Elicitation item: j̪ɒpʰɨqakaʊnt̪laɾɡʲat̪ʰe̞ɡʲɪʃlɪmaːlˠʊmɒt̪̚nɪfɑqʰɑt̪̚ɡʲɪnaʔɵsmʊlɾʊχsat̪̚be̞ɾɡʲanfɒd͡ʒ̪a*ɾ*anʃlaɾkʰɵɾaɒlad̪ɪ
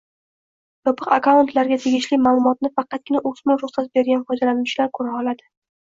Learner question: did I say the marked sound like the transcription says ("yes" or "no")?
no